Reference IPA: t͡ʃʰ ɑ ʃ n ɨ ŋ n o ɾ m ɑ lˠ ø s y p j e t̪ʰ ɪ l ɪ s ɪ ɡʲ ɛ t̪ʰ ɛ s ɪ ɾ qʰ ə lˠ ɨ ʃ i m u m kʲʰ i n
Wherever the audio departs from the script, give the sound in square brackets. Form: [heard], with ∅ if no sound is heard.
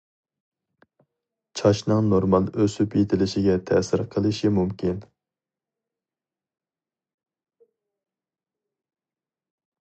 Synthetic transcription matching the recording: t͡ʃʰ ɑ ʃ n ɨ ŋ n o ɾ m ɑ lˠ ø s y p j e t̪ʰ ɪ l ɪ [ʃ] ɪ ɡʲ ɛ t̪ʰ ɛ s ɪ ɾ qʰ ə lˠ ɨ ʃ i m u m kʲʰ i n